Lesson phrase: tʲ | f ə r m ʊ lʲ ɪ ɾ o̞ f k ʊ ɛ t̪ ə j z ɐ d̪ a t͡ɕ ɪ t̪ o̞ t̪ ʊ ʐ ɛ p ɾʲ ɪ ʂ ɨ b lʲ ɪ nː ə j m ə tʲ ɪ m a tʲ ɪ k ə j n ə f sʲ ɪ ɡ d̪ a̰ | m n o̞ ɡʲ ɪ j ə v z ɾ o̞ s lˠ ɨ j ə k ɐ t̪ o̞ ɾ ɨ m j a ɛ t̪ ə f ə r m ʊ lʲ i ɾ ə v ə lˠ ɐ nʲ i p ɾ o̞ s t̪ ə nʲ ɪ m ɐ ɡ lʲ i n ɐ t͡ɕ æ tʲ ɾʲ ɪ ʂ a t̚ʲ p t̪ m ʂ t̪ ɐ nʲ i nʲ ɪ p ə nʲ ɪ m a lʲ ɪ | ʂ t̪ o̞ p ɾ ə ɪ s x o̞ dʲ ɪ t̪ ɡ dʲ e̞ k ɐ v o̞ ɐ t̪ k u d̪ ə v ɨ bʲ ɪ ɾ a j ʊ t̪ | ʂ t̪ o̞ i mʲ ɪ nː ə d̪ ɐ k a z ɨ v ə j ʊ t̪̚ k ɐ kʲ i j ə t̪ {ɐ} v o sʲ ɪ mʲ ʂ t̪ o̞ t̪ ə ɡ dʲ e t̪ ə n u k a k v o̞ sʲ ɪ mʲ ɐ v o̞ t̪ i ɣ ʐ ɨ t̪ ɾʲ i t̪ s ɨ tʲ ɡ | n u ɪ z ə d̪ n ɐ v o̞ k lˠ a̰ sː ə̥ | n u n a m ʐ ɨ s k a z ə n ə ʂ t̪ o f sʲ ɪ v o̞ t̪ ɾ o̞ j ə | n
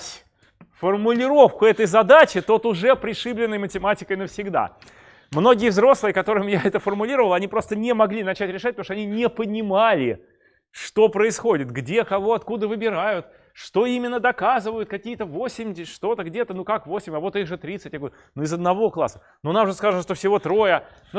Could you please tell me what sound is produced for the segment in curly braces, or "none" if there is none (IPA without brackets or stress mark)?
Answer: ə